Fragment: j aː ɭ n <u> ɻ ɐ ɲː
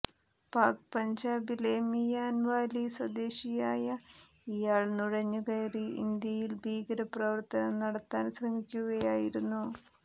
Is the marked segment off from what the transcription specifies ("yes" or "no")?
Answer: no